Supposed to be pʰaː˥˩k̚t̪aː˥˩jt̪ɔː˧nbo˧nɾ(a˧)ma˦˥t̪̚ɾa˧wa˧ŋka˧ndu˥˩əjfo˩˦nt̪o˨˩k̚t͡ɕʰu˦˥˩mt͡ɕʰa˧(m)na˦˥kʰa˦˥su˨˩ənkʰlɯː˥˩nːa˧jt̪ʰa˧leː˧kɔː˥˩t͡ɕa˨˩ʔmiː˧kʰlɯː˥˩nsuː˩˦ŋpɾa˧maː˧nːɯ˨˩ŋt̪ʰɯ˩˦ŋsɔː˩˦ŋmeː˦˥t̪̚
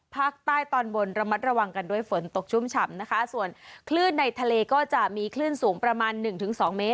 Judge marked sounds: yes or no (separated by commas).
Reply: yes, yes